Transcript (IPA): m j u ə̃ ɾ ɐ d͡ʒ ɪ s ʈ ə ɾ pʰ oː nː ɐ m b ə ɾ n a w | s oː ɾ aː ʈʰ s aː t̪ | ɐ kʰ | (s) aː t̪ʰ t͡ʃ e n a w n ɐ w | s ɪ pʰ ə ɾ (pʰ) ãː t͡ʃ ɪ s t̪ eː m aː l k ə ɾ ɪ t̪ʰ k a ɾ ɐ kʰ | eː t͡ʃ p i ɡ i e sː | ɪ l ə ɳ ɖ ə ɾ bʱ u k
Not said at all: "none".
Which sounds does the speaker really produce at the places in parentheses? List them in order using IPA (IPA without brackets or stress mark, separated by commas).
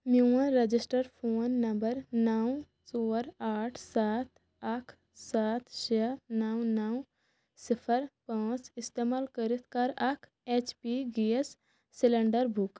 s, p